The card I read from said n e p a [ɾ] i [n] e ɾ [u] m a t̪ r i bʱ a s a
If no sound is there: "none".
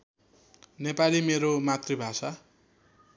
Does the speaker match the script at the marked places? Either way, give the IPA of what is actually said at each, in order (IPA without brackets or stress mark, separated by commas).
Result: l, m, o